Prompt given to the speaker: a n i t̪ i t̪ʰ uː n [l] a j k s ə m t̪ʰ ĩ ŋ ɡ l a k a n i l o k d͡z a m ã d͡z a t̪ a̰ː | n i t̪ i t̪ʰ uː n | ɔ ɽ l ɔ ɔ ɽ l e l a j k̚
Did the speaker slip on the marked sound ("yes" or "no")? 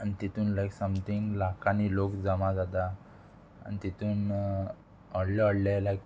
no